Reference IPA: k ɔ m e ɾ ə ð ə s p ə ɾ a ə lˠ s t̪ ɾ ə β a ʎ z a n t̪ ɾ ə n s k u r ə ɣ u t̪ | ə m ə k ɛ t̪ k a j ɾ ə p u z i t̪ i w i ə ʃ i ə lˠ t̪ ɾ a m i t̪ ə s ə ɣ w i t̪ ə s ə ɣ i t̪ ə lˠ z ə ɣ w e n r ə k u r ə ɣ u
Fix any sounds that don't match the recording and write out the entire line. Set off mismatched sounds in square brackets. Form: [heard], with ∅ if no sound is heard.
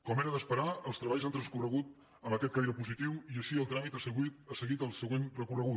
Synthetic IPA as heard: k ɔ m e ɾ ə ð ə s p ə ɾ a ə lˠ s t̪ ɾ ə β a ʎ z a n t̪ ɾ ə n s k u r ə ɣ u t̪ | ə m ə k ɛ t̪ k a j ɾ ə p u z i t̪ i w i ə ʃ i ə lˠ t̪ ɾ a m i t̪ ə s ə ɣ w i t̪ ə s ə ɣ i t̪ ə lˠ [s] ə ɣ w e n r ə k u r ə ɣ u

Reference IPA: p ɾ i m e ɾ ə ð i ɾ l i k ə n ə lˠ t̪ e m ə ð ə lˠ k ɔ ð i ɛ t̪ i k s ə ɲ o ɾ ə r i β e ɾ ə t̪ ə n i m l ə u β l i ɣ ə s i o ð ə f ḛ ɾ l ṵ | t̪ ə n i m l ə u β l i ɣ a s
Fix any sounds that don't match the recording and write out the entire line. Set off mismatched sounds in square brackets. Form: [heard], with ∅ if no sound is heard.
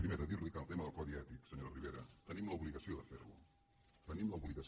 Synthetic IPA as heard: p ɾ i m e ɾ ə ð i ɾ l i k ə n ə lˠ t̪ e m ə ð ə lˠ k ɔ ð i ɛ t̪ i k s ə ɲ o ɾ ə r i β e ɾ ə t̪ ə n i m l ə u β l i ɣ ə s i o ð ə f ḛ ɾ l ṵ | t̪ ə n i m l ə u β l i ɣ [ə] s

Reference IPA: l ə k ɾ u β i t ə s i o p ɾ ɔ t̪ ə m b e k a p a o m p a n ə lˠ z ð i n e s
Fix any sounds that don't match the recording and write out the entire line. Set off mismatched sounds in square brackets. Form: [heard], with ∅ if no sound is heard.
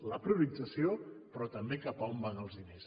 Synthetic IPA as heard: l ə [p] ɾ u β i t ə s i o p ɾ ɔ t̪ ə m b e k a p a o m [b] a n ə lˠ z ð i n e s

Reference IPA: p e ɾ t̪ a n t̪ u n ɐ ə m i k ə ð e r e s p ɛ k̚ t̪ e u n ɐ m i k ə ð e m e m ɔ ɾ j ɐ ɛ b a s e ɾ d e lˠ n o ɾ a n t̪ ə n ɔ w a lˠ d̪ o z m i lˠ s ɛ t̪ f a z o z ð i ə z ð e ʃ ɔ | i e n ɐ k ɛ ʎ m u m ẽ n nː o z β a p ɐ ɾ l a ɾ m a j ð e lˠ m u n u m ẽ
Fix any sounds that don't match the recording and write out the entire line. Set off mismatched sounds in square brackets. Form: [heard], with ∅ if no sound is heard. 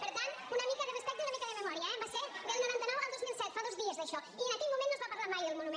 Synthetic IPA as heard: p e ɾ t̪ a n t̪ u n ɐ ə m i k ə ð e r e s p ɛ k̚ t̪ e u n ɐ m i k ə ð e m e m ɔ ɾ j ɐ ɛ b a s e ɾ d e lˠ n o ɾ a n t̪ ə n ɔ w a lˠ d̪ o z m i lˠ s ɛ t̪ f a [ð] o z ð i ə z ð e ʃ ɔ | i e n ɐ k ɛ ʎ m u m ẽ n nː o z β a p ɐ ɾ l a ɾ m a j ð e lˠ m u n u m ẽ

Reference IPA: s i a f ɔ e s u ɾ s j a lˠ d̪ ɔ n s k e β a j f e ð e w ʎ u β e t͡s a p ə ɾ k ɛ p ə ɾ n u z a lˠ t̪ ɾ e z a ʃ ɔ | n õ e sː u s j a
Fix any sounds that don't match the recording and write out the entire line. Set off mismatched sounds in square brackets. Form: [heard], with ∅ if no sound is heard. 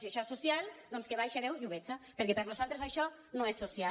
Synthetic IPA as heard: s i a [ʃ] ɔ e s u [∅] s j a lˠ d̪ ɔ n s k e β a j [ʃ] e ð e w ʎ u β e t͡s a p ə ɾ k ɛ p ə ɾ n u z a lˠ t̪ ɾ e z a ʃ ɔ | n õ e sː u s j a

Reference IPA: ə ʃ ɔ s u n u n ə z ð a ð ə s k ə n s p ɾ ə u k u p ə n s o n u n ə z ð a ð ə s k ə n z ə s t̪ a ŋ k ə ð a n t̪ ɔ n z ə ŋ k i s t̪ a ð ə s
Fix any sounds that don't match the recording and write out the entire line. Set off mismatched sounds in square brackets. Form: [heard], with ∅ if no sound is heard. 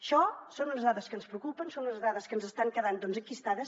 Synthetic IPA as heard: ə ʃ ɔ s [o] n u n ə z ð a ð ə s k ə n s p ɾ ə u k u p ə n s o n u n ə z ð a ð ə s k ə n z ə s t̪ a ŋ k ə ð a n [d̪] ɔ n z ə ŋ k i s t̪ a ð ə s

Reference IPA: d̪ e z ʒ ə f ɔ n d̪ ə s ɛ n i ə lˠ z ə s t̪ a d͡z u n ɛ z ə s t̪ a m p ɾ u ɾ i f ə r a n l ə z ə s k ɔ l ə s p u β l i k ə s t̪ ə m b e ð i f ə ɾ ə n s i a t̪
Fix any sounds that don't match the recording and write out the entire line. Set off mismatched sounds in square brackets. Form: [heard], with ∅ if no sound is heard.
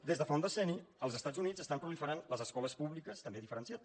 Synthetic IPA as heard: d̪ e z [ð] ə f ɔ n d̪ ə s ɛ n i ə lˠ z ə s t̪ a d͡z u n [i] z ə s t̪ a m p ɾ u [l] i f ə [ɾ] a n l ə z ə s k ɔ l ə s p u β l i k ə s t̪ ə m b e ð i f ə ɾ ə n s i a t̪

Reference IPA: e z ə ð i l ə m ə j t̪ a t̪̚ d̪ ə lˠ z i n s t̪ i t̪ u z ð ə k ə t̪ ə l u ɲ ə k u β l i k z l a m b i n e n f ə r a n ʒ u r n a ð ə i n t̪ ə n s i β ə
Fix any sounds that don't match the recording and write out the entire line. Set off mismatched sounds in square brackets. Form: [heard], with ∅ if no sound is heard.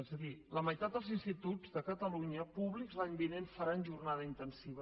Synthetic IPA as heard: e z ə ð i l ə m ə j t̪ a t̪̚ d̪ ə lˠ z i n s t̪ i t̪ u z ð ə k ə t̪ ə l u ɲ ə [p] u β l i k z l a [ɲ] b i n e n f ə [ɾ] a n ʒ u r n a ð ə i n t̪ ə n s i β ə

